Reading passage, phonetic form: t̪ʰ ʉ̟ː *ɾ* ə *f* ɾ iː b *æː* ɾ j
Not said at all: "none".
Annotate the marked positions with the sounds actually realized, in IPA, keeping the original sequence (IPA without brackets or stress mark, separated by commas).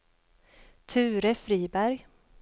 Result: ɾ, f, æ